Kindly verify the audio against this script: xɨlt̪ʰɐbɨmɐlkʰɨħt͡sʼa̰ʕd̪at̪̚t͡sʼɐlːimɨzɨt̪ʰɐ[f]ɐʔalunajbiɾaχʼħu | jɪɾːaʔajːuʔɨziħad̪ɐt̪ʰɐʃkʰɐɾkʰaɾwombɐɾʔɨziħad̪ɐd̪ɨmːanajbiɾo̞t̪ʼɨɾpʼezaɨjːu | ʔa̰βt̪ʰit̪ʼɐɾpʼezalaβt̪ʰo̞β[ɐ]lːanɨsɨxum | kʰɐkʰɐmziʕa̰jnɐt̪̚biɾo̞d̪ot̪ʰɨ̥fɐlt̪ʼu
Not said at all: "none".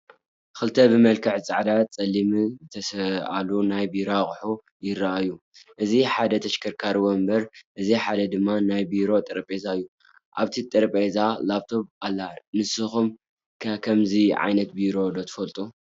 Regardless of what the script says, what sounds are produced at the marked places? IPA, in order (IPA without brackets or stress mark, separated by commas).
s, a